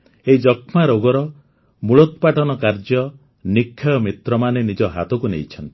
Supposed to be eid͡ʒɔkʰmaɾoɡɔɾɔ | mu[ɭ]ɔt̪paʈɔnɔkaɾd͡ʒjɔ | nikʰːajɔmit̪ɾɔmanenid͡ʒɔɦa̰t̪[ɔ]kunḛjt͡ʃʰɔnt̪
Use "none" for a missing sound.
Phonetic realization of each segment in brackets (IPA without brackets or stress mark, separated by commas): ɭ, ɔ